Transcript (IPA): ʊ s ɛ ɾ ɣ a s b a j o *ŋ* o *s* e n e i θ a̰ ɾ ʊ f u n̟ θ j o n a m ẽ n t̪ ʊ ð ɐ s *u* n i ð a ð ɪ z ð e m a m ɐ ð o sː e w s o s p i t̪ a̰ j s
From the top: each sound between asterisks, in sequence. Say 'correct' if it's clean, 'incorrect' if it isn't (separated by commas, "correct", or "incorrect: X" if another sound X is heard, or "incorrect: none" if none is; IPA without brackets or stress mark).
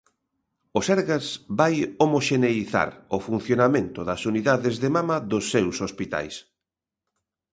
incorrect: m, incorrect: ʃ, correct